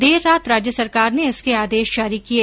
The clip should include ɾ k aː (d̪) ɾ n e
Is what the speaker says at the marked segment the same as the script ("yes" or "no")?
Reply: no